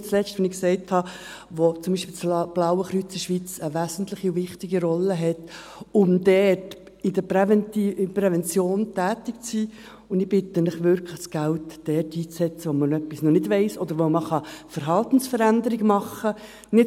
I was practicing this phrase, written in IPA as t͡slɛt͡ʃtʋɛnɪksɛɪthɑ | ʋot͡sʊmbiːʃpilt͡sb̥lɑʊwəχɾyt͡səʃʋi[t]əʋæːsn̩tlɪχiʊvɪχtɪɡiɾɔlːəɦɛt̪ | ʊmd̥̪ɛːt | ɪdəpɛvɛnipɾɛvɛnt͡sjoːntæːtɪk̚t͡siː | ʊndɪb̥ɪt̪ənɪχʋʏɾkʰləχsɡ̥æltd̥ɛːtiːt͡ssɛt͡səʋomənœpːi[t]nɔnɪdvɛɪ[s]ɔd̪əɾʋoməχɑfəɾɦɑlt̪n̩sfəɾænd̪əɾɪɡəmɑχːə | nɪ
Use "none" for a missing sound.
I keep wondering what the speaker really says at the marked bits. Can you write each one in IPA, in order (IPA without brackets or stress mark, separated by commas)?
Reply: t͡s, s, s